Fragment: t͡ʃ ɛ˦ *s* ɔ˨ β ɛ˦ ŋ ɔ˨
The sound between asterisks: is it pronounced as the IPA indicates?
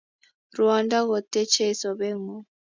yes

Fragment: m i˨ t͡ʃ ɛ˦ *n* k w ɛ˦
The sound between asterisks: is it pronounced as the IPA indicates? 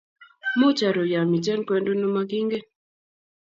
yes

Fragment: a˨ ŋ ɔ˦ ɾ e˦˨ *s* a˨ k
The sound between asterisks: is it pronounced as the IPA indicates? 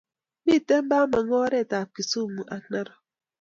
no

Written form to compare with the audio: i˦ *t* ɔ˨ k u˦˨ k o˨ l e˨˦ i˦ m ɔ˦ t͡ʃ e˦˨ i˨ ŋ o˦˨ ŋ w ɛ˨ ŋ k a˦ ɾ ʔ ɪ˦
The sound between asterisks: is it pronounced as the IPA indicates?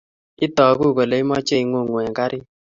yes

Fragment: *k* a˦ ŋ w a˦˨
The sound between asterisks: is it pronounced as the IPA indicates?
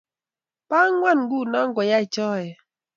no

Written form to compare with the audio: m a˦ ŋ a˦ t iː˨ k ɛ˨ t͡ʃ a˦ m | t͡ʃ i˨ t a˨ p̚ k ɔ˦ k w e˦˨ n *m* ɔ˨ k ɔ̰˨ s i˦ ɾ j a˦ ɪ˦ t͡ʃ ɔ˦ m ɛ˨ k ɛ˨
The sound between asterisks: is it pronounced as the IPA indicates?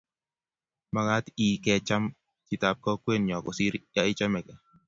no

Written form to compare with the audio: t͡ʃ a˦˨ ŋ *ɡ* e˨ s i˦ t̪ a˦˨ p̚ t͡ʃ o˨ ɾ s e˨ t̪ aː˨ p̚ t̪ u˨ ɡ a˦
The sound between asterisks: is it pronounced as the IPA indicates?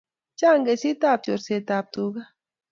yes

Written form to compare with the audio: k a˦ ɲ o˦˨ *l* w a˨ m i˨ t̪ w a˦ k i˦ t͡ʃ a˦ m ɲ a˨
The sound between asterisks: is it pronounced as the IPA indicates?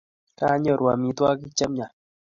no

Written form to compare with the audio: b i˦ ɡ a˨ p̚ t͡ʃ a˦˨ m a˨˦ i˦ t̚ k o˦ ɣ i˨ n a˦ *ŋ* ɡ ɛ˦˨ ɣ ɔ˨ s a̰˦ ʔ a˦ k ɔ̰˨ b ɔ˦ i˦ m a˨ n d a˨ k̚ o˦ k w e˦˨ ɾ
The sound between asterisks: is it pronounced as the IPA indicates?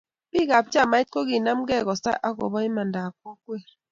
no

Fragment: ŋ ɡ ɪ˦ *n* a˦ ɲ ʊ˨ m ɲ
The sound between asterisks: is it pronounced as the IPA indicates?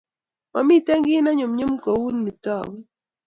yes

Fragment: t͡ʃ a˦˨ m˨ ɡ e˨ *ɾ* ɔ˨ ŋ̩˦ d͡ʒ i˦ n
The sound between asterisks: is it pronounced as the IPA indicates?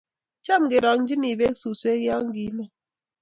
yes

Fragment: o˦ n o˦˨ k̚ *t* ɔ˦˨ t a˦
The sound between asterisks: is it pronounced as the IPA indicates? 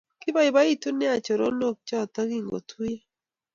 no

